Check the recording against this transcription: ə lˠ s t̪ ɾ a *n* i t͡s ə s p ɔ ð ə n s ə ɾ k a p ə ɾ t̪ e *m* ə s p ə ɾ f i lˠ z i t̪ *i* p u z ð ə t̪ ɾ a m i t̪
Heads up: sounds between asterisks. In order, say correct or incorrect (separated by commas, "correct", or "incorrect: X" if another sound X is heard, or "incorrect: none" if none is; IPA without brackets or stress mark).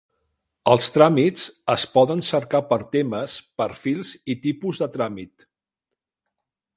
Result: incorrect: m, correct, correct